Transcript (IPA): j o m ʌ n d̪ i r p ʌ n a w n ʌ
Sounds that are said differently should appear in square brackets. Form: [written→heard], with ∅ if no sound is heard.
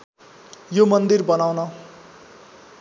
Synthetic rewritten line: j o m ʌ n d̪ i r [p→b] ʌ n a w n ʌ